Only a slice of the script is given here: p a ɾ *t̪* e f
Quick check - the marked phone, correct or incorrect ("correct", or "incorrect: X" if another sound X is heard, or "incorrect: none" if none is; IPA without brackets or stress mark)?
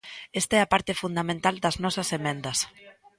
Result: correct